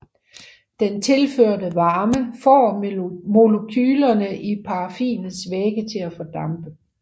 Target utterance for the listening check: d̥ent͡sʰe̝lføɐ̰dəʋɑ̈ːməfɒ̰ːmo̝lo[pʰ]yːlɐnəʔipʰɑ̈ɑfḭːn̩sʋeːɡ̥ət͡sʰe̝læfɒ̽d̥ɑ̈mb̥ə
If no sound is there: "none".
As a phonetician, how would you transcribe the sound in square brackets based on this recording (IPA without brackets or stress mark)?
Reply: kʰ